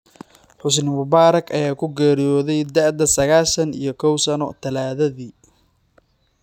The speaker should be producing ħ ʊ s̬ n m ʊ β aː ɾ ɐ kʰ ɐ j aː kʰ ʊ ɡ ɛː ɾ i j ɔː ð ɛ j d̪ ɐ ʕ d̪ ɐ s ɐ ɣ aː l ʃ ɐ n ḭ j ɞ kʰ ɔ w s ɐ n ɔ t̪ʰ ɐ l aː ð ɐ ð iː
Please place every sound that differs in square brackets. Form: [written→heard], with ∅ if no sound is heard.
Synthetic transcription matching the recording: ħ ʊ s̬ n m ʊ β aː ɾ ɐ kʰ ɐ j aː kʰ ʊ ɡ ɛː ɾ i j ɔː ð ɛ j d̪ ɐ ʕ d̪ ɐ s ɐ ɣ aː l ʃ ɐ n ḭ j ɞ kʰ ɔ w s ɐ n ɔ t̪ʰ ɐ l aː ð ɐ ð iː